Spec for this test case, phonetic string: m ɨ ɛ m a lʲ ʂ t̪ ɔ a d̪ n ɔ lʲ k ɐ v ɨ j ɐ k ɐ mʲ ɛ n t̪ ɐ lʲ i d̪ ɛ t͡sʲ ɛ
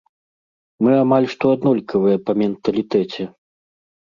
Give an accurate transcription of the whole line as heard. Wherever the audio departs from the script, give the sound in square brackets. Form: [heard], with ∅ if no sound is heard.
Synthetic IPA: m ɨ [a] m a lʲ ʂ t̪ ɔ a d̪ n ɔ lʲ k ɐ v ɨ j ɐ [p] ɐ mʲ ɛ n t̪ ɐ lʲ i [t̪] ɛ t͡sʲ ɛ